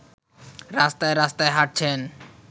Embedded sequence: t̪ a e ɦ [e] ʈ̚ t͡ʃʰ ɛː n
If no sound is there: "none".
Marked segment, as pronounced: a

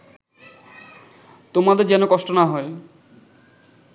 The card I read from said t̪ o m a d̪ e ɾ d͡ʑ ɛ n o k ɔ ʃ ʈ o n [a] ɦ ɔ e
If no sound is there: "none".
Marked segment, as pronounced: a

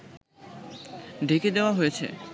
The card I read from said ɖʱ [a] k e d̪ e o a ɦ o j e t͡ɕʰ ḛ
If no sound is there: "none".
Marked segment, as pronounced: e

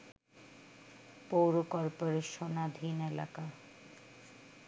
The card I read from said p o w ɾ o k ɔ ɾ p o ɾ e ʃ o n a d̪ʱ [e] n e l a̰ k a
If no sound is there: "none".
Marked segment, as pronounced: i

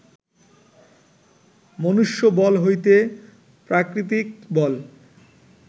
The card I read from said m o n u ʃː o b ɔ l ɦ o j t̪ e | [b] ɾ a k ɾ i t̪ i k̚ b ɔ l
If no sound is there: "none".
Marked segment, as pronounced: p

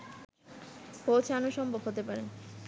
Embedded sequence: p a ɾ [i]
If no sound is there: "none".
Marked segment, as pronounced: e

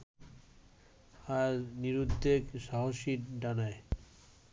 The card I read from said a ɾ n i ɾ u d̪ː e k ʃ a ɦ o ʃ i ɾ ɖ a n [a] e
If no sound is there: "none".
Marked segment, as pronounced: a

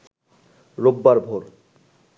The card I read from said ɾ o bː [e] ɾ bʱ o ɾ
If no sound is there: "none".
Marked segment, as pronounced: a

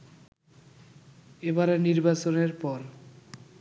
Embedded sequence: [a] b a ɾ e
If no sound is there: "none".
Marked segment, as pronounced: e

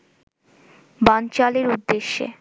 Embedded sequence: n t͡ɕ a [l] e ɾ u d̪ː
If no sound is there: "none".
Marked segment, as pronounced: l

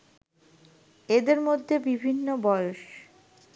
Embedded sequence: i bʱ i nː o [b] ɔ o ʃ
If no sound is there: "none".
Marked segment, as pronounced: b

